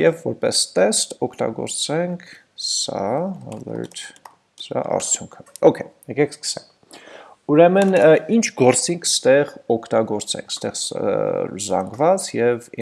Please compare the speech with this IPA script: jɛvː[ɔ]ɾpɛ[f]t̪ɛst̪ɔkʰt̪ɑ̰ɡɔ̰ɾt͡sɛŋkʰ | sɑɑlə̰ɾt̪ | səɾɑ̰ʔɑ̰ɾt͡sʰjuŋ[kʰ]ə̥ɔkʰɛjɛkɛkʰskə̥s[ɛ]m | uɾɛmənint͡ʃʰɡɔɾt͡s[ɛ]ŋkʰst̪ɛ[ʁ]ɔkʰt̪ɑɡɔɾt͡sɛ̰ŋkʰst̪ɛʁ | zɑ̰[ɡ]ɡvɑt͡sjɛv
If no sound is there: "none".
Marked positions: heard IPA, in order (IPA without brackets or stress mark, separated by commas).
ɔ, s, kʰ, ɛ, i, ʁ, ŋ